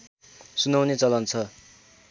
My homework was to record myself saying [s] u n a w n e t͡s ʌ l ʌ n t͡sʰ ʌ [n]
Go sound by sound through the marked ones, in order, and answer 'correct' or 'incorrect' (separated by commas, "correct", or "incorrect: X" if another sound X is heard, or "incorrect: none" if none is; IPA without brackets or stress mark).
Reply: correct, incorrect: none